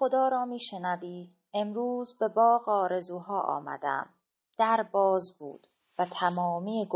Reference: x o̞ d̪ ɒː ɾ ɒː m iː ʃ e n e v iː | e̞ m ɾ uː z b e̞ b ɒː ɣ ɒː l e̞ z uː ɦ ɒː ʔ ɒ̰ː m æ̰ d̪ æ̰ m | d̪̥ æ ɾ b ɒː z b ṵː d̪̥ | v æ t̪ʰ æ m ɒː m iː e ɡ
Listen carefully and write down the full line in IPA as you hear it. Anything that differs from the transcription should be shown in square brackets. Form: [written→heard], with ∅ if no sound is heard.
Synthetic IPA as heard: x o̞ d̪ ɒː ɾ ɒː m iː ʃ e n [e→æ] v iː | e̞ m ɾ uː z b e̞ b ɒː ɣ ɒː [l→ɾ] e̞ z uː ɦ ɒː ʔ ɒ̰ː m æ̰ d̪ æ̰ m | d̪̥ æ ɾ b ɒː z b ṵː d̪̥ | v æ t̪ʰ æ m ɒː m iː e ɡ